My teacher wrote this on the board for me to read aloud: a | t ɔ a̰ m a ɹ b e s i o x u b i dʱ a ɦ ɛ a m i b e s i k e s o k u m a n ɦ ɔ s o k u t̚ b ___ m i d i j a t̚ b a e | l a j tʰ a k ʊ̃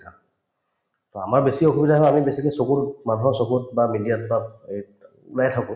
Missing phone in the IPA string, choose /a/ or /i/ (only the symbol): a